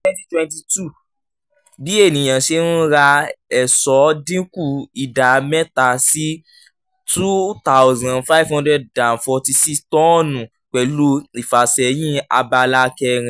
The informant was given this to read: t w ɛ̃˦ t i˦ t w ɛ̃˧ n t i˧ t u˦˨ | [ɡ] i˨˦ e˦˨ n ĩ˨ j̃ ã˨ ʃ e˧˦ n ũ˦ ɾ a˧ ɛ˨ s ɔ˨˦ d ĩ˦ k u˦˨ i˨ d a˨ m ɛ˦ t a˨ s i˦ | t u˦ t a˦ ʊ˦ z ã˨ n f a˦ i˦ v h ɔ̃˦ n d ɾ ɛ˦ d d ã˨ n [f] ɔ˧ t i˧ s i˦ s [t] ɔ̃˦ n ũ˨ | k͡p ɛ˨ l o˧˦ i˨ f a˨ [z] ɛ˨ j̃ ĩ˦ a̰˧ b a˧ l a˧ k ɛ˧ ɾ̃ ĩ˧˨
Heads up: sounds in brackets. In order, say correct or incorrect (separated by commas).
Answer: incorrect, correct, correct, incorrect